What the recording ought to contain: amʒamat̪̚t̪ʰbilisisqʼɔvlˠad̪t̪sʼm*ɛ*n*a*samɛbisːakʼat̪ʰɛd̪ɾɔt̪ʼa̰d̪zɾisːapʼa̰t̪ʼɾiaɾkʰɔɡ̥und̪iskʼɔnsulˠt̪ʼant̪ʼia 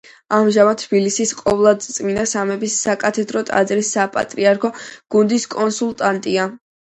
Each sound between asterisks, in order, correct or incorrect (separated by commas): incorrect, correct